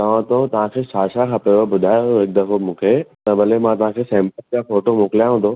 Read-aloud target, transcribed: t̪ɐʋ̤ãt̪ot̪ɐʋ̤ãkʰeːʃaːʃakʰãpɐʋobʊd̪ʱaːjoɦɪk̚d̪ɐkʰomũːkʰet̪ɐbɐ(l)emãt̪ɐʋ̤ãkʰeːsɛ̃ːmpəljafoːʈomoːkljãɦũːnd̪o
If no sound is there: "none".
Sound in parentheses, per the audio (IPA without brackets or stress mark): l